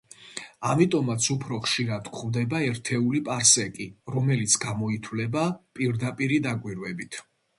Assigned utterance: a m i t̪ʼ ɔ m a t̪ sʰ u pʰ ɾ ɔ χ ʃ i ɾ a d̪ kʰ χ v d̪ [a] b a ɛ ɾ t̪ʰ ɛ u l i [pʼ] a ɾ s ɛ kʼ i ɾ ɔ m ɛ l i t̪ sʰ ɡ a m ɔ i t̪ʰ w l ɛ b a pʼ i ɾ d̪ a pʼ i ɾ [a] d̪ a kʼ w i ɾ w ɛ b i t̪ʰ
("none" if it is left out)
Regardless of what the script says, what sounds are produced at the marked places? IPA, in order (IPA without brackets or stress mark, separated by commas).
ɛ, pʼ, i